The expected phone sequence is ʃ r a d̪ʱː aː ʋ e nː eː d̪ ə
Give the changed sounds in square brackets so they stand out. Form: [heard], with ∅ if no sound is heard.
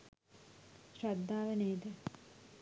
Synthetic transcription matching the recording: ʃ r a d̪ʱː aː ʋ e [n] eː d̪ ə